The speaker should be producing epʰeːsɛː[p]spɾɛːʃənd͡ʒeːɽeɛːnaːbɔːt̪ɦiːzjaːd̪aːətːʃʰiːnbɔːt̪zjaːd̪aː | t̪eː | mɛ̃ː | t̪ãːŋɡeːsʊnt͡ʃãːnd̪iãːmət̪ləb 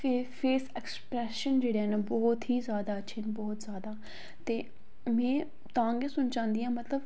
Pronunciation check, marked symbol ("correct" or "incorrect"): incorrect